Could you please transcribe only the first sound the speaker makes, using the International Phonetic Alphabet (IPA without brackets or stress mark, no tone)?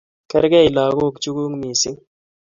k